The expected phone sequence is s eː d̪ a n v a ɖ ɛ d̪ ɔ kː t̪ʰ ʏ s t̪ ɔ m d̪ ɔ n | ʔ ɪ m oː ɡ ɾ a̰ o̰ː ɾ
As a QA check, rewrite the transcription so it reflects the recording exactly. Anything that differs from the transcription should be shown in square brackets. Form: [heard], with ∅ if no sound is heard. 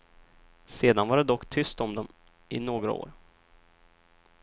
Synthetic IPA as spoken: s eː d̪ a n v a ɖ ɛ d̪ ɔ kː t̪ʰ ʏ s t̪ ɔ m d̪ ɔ [m] | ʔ ɪ [n] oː ɡ ɾ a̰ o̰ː ɾ